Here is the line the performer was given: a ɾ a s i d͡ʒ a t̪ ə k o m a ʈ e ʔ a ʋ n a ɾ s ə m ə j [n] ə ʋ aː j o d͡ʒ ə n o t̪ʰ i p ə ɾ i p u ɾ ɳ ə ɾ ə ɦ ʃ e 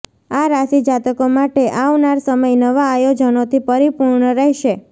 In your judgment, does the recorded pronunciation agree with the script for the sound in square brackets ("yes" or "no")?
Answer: yes